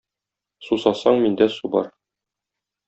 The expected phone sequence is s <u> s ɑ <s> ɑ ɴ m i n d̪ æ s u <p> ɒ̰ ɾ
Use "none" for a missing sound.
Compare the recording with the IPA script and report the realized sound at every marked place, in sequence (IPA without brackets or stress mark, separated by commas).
u, s, b